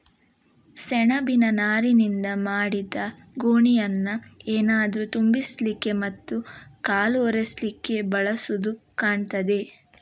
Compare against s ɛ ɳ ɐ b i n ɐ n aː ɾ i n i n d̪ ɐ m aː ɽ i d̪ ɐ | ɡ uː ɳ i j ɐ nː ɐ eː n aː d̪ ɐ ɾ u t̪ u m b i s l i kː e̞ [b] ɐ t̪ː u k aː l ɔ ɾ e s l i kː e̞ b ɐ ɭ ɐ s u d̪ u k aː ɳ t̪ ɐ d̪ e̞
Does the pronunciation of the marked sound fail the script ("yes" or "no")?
yes